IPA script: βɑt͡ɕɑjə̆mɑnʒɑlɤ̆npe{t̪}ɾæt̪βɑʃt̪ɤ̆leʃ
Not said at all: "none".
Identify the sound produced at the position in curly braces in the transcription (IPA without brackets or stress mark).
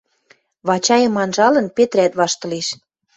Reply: t̪